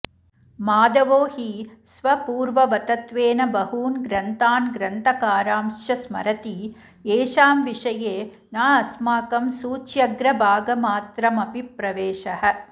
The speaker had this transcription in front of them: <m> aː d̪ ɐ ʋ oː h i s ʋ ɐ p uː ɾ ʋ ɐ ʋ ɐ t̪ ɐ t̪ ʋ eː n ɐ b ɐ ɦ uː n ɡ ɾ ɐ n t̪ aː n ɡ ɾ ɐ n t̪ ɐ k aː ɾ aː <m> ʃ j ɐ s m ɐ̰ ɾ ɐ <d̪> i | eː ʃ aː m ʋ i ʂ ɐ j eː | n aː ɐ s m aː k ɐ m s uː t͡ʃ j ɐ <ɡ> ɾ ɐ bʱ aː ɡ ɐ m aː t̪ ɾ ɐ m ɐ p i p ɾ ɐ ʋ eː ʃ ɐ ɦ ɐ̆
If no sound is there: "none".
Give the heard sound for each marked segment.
m, m, t̪, ɡ

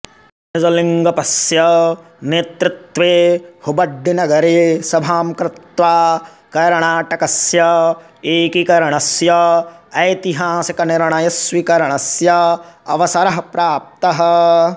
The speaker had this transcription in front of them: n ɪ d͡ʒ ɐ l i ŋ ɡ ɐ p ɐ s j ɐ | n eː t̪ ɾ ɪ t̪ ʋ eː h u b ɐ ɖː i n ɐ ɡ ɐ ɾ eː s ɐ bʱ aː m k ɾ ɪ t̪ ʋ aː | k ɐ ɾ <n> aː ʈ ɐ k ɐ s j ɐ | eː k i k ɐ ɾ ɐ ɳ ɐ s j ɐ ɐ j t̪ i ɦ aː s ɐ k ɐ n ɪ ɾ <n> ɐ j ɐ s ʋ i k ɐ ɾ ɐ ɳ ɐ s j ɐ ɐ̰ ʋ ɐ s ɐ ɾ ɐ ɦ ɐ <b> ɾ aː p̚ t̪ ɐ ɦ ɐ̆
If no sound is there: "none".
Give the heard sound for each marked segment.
ɳ, ɳ, p

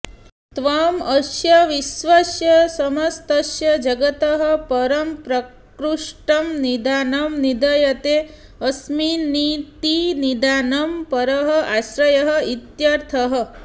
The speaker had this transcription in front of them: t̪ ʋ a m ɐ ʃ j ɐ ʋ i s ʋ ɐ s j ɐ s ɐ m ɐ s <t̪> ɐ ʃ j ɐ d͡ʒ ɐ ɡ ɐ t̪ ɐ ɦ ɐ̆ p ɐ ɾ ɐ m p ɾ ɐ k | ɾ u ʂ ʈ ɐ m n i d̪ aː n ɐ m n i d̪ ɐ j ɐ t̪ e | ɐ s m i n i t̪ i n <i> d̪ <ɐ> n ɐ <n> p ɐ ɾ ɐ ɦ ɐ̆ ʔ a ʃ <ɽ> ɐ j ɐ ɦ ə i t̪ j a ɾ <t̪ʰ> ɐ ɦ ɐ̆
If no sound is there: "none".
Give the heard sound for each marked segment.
t̪, i, a, m, ɾ, t̪ʰ

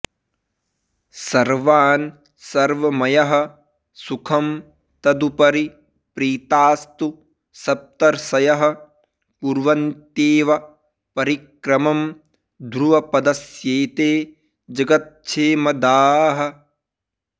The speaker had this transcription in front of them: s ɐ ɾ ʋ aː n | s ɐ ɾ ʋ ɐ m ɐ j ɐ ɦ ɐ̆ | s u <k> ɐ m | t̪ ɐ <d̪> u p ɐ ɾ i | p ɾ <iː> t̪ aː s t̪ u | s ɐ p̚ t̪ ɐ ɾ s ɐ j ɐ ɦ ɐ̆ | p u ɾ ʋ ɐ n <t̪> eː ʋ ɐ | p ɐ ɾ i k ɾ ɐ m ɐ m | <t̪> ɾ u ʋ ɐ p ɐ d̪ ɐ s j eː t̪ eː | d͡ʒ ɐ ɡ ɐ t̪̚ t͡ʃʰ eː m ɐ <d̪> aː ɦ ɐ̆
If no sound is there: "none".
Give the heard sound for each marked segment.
kʰ, d̪, iː, t̪, d̪, d̪

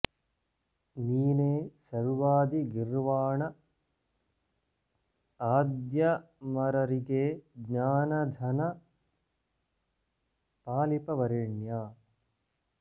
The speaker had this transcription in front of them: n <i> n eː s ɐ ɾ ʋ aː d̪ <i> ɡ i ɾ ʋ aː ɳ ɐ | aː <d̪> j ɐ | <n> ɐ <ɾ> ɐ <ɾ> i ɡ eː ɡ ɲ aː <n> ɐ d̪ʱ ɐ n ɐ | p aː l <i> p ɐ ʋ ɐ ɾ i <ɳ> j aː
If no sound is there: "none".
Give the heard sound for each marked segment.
iː, i, d̪, m, ɾ, ɾ, n, i, ɳ

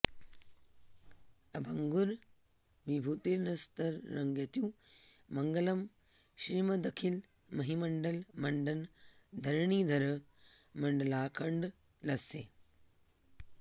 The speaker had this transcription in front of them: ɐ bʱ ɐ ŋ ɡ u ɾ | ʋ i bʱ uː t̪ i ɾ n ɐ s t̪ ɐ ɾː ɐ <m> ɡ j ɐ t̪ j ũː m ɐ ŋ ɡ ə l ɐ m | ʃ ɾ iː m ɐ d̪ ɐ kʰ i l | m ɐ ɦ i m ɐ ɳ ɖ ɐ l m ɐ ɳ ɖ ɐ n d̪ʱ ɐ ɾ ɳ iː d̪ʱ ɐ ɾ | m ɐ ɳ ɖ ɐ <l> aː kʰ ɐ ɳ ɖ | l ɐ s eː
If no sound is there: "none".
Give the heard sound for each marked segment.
ŋ, l

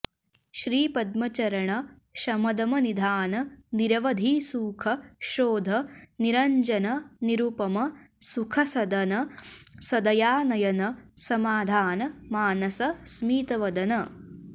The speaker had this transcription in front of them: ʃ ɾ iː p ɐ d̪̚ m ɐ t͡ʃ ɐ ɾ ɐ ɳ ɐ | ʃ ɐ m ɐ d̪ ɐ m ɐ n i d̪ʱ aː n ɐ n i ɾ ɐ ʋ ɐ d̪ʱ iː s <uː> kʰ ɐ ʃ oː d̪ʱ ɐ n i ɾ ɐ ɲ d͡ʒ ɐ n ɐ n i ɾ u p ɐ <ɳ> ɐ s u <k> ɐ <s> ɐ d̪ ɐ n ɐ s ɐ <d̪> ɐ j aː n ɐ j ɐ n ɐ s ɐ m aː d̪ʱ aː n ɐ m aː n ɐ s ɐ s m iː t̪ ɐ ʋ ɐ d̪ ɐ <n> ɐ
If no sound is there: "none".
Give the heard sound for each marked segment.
uː, m, kʰ, s, d̪, n

